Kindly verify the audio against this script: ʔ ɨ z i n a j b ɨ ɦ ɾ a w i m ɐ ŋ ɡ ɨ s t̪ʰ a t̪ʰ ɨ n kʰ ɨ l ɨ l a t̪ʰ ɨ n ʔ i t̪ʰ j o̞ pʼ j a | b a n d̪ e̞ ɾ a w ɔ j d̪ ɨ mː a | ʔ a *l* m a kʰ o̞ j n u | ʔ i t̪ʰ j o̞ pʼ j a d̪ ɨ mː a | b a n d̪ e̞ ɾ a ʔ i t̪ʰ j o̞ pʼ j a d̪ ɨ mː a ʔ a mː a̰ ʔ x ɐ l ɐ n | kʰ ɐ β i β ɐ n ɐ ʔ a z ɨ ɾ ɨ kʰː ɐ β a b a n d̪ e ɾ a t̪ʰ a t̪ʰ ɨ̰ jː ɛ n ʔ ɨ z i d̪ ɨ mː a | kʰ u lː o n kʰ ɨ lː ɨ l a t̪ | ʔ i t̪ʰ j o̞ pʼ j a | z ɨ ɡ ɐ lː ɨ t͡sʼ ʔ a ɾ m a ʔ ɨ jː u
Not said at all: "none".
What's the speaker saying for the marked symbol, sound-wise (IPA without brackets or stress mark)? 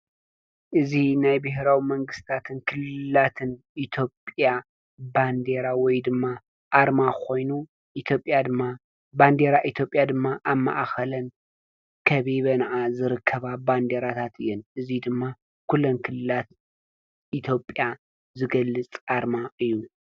ɾ